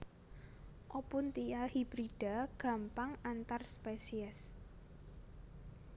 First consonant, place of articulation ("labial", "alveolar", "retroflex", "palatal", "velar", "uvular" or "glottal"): glottal